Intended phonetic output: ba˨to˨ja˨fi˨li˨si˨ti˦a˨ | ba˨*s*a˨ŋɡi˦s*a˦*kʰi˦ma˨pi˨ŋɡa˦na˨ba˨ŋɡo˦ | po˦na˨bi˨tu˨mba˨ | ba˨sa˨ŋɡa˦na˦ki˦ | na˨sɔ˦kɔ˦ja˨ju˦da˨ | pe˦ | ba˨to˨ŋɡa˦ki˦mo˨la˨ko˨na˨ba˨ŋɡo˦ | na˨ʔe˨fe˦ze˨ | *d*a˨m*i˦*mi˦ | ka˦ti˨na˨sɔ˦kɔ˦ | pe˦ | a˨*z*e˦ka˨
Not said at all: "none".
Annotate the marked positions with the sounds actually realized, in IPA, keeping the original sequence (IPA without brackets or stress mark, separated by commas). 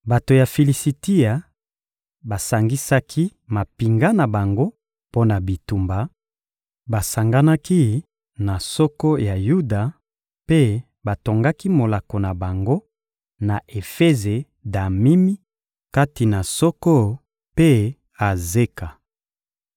s, a˦, d, i˦, z